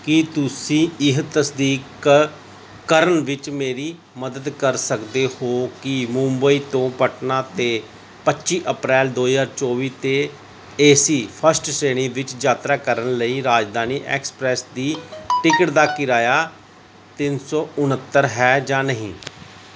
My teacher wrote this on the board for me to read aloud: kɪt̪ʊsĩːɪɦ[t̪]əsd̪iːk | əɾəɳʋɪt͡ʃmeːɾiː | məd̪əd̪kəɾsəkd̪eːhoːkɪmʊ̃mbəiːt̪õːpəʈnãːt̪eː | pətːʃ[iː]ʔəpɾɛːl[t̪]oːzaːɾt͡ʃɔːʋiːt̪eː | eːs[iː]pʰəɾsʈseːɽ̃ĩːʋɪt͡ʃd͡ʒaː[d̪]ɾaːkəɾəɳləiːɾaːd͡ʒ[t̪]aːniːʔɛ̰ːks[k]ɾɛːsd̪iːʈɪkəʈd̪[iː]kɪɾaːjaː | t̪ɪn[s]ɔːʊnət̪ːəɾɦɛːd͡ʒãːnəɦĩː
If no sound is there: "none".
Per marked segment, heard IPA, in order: t̪, iː, d̪, iː, t̪, d̪, p, aː, s

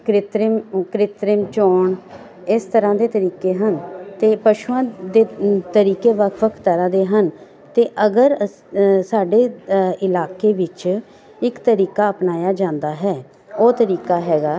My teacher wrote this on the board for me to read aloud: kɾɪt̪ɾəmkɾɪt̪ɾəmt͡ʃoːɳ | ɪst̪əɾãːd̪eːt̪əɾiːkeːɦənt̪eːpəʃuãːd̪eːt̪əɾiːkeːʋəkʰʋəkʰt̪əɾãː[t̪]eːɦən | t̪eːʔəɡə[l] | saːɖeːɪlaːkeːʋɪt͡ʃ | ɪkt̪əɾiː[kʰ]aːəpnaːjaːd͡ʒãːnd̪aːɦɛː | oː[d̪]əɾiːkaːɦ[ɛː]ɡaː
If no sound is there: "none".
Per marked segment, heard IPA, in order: d̪, ɾ, k, t̪, ɛː

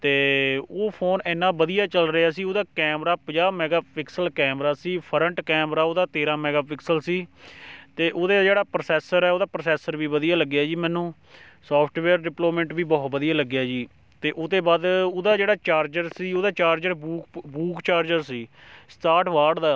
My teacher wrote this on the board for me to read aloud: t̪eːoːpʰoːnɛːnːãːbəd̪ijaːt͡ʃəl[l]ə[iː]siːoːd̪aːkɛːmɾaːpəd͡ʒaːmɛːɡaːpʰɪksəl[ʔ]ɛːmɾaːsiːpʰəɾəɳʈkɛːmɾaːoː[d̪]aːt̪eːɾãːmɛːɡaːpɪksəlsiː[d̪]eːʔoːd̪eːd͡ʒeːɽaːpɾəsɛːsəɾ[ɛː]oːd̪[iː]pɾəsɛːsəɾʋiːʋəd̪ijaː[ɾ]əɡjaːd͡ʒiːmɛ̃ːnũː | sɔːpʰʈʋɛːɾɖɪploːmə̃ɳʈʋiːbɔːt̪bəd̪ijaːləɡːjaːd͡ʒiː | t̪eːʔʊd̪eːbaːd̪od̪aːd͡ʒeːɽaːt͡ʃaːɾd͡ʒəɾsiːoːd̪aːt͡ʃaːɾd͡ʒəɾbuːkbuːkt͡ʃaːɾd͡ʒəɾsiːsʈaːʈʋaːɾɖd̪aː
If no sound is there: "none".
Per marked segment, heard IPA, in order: ɾ, aː, k, d̪, t̪, ɛː, aː, l

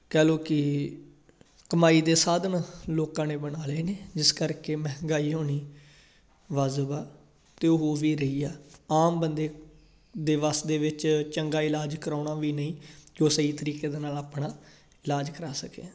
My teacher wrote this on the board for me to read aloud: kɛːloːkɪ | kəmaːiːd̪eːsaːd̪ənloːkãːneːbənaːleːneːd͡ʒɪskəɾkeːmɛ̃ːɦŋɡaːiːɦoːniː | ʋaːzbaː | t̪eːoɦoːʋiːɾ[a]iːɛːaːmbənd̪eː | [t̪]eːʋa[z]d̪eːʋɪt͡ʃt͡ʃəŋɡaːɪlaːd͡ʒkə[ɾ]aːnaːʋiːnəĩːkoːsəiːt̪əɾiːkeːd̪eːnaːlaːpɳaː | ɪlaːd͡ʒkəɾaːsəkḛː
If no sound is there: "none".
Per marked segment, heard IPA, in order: ə, d̪, s, ɾ

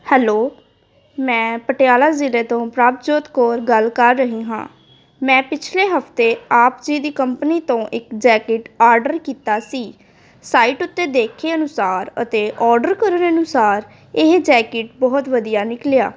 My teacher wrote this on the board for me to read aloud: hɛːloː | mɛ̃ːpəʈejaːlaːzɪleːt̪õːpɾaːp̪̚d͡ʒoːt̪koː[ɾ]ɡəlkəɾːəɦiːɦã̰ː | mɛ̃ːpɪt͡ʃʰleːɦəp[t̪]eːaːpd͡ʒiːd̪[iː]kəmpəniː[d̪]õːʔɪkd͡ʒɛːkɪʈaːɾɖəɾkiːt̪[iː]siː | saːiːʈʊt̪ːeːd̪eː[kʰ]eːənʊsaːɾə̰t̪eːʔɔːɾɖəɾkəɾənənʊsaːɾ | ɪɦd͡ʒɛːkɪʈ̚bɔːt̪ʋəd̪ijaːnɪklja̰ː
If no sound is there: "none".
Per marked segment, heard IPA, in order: ɾ, t̪, iː, t̪, aː, kʰ

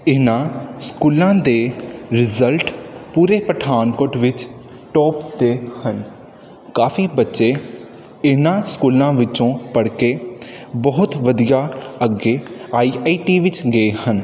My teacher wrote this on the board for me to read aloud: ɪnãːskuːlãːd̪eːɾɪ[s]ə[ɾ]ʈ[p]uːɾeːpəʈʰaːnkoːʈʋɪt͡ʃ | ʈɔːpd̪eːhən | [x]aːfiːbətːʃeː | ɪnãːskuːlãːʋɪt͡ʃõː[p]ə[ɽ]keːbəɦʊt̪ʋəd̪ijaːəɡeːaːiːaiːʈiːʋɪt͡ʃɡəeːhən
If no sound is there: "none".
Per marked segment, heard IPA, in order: z, l, p, k, p, ɽ

